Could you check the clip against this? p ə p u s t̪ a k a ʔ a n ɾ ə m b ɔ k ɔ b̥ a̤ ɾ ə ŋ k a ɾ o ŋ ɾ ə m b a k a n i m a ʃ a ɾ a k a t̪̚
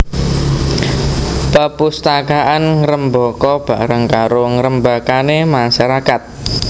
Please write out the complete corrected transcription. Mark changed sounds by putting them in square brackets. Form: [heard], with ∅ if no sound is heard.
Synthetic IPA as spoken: p ə p u s t̪ a k a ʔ a n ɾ ə m b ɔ k ɔ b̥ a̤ ɾ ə ŋ k a ɾ o ŋ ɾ ə m b a k a n [e] m a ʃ a ɾ a k a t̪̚

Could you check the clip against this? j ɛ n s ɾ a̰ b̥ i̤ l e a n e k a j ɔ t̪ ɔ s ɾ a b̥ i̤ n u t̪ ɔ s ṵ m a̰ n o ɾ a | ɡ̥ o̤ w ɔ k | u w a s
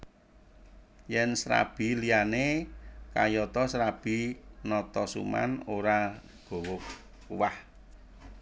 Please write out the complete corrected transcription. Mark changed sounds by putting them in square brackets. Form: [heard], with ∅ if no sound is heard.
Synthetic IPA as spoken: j ɛ n s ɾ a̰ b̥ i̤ l [i] a n e k a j ɔ t̪ ɔ s ɾ a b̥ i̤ n [ɔ] t̪ ɔ s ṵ m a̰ n o ɾ a | ɡ̥ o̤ w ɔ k | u w a [h]

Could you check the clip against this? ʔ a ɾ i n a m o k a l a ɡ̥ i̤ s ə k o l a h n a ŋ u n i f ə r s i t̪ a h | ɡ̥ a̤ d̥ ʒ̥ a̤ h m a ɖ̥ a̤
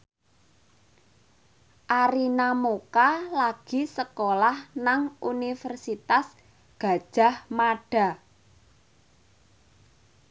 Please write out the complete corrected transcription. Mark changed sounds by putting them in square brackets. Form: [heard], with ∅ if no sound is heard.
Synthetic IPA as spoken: ʔ a ɾ i n a m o k a l a ɡ̥ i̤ s ə k o l a h n a ŋ u n i f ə r s i t̪ a [s] | ɡ̥ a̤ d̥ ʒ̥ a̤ h m a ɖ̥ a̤

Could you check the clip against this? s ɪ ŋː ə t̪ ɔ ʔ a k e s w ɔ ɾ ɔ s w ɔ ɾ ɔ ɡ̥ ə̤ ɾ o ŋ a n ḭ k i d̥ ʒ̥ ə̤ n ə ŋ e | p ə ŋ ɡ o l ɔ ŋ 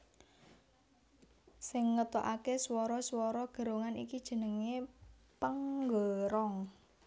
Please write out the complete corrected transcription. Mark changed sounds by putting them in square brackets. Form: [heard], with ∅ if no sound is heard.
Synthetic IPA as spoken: s ɪ ŋː ə t̪ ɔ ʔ a k e s w ɔ ɾ ɔ s w ɔ ɾ ɔ ɡ̥ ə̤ ɾ o ŋ a n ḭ k i d̥ ʒ̥ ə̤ n ə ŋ e | p ə ŋ ɡ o [ɾ] ɔ ŋ

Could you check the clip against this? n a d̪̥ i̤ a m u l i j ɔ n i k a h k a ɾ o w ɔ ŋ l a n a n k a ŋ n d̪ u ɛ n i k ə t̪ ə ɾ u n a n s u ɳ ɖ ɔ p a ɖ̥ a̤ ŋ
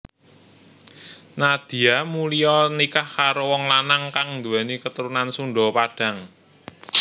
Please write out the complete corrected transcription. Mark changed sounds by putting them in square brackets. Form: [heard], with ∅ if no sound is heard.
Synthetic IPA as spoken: n a d̪̥ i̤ a m u l i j ɔ n i k a h k a ɾ o w ɔ ŋ l a n a [ŋ] k a ŋ n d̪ u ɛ n i k ə t̪ ə ɾ u n a n s u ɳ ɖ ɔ p a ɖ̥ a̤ ŋ

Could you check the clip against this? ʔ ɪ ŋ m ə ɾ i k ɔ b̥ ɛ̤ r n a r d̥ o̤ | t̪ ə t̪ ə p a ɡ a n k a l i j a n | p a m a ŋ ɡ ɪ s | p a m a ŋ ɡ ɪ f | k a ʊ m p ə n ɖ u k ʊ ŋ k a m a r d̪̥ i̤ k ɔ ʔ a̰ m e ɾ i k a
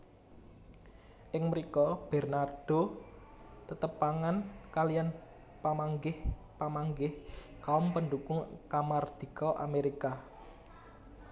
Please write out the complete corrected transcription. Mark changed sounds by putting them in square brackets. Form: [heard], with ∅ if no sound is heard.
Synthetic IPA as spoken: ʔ ɪ ŋ m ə ɾ i k ɔ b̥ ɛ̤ r n a r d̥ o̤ | t̪ ə t̪ ə p a [ŋ] a n k a l i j a n | p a m a ŋ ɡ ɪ [h] | p a m a ŋ ɡ ɪ [h] | k a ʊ m p ə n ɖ u k ʊ ŋ k a m a r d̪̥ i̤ k ɔ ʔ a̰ m e ɾ i k a

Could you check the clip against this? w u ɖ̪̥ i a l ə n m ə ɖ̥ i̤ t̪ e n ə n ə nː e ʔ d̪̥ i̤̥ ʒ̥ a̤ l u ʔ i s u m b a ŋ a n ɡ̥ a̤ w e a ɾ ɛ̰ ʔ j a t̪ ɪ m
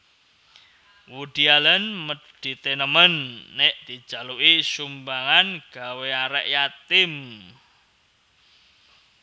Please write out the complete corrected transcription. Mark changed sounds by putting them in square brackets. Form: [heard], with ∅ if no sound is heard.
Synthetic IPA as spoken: w u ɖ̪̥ i a l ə n m ə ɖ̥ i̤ t̪ e n ə [m] ə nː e ʔ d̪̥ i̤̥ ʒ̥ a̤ l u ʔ i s u m b a ŋ a n ɡ̥ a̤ w e a ɾ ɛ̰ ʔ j a t̪ ɪ m

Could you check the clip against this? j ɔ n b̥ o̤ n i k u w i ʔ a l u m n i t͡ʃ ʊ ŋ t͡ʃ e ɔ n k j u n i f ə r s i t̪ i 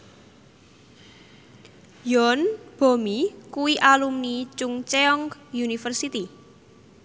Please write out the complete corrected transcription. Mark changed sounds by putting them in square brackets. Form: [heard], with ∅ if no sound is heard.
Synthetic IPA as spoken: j ɔ n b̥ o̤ [m] i k u w i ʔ a l u m n i t͡ʃ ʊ ŋ t͡ʃ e ɔ [ŋ] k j u n i f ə r s i t̪ i

